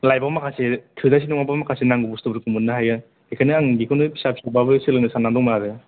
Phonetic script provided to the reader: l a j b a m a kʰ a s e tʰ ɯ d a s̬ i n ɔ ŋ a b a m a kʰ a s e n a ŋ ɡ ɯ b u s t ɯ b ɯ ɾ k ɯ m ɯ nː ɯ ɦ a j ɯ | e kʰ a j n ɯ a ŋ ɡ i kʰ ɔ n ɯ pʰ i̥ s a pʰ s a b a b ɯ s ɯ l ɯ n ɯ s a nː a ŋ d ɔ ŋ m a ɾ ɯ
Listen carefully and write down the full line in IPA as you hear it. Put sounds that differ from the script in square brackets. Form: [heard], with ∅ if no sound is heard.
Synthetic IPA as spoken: l a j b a m a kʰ a s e tʰ ɯ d a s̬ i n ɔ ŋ a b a m a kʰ a s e n a ŋ ɡ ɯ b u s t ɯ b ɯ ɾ k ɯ m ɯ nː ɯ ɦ a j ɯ | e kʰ a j n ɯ a ŋ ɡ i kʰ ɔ n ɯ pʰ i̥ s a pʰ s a b a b ɯ s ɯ l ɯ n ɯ s a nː a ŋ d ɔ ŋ m a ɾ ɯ